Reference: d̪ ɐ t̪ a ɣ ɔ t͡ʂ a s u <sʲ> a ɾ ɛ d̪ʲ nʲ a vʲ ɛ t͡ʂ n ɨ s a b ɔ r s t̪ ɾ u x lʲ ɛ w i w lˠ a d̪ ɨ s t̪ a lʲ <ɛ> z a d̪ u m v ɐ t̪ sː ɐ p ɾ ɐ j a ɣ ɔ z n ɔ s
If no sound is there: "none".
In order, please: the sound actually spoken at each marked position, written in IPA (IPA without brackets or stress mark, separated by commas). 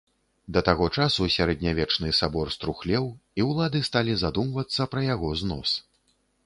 sʲ, i